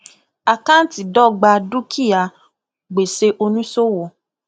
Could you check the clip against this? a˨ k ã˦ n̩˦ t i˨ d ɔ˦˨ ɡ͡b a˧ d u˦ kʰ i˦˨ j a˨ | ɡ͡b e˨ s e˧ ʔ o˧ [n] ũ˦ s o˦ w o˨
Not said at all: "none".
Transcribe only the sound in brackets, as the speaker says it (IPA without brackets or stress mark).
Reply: n